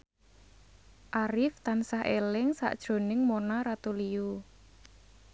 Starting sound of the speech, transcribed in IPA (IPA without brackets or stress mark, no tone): ʔ